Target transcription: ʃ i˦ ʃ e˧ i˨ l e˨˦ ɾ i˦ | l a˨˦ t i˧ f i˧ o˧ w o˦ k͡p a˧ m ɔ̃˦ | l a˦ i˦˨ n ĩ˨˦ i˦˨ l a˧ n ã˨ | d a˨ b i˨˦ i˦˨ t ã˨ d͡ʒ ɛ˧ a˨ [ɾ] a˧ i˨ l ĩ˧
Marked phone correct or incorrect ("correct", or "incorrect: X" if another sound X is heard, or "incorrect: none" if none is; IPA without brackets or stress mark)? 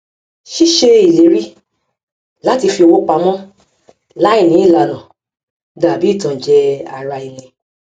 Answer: correct